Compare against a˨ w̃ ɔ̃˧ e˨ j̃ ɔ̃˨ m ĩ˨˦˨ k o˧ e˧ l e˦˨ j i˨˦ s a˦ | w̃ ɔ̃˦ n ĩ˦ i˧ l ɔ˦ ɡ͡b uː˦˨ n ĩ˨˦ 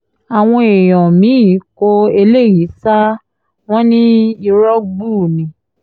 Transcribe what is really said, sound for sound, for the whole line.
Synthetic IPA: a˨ w̃ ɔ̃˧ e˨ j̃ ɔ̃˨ m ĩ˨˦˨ k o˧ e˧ l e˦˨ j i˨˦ s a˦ | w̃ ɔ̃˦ n ĩ˦ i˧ ɾ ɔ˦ ɡ͡b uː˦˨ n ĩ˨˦